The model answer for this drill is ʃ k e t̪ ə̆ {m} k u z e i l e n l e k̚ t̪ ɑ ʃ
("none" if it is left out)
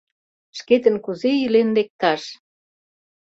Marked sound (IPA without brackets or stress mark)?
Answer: n